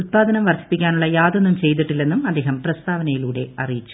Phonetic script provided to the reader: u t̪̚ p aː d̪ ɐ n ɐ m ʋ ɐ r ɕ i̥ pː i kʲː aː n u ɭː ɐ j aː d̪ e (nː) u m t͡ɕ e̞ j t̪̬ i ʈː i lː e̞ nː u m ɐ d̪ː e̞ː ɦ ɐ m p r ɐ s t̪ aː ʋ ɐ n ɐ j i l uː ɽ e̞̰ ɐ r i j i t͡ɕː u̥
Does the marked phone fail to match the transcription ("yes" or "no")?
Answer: no